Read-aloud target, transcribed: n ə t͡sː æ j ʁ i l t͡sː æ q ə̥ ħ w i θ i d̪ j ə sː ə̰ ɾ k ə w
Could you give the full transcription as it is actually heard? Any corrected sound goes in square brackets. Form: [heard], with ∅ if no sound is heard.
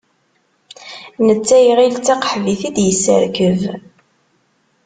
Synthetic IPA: n ə t͡sː æ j ʁ i l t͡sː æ q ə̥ ħ [v] i θ i d̪ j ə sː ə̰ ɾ k ə [v]